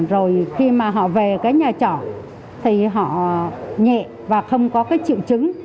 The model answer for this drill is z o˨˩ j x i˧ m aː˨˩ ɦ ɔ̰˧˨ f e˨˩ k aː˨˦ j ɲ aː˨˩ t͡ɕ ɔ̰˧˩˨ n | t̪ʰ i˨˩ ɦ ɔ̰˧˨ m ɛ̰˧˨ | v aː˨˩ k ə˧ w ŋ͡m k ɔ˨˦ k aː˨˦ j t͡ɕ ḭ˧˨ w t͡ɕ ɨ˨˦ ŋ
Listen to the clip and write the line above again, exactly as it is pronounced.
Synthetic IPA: z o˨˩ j x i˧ m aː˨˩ ɦ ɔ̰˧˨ v e˨˩ k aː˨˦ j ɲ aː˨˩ t͡ɕ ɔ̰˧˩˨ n | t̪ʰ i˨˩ ɦ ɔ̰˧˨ ɲ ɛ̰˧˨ | v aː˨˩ x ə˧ w ŋ͡m k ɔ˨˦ k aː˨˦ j t͡ɕ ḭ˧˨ w t͡ɕ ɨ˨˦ ŋ